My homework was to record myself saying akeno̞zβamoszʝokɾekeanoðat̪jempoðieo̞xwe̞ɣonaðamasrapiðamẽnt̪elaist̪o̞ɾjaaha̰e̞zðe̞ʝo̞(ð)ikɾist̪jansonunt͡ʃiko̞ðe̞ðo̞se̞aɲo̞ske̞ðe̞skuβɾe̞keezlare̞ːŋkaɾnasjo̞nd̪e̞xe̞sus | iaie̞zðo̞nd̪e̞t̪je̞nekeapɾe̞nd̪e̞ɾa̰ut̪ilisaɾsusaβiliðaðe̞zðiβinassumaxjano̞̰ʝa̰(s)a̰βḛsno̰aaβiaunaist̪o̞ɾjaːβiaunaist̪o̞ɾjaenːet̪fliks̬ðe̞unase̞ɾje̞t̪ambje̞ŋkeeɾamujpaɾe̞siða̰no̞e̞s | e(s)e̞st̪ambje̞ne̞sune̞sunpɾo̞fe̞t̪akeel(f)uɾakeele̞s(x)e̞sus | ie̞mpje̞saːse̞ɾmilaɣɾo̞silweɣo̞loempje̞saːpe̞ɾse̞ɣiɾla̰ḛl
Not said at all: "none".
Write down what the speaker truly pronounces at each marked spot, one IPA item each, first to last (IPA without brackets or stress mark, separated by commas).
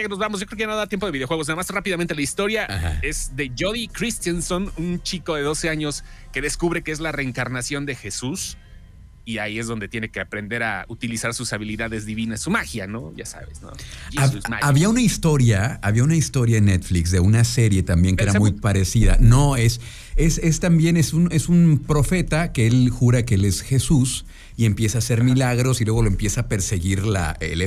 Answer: ð, s, s, x, x